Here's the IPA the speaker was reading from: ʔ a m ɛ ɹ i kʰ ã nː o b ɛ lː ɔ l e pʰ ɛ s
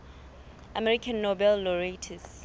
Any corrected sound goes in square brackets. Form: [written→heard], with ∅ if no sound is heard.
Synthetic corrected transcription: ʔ a m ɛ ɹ i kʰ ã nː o b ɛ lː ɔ [l→ɹ] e [pʰ→tʰ] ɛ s